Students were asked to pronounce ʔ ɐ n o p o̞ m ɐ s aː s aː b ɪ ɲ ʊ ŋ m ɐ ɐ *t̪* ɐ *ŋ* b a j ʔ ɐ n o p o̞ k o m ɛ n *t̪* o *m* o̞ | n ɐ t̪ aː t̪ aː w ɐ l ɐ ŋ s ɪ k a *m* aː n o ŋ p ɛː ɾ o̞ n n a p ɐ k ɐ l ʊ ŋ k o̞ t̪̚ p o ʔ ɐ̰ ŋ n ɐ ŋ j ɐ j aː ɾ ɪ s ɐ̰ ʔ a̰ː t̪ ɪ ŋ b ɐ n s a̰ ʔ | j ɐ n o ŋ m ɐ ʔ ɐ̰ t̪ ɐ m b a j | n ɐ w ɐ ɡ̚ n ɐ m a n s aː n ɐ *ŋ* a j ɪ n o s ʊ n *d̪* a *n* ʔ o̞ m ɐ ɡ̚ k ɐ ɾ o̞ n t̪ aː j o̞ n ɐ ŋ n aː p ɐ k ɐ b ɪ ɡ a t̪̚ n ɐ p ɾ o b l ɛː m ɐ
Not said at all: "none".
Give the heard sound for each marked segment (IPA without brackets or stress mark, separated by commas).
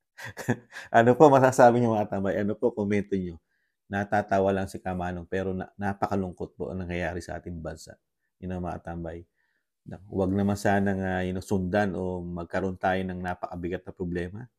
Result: t̪, m, t̪, ɲ, m, ŋ, d̪, n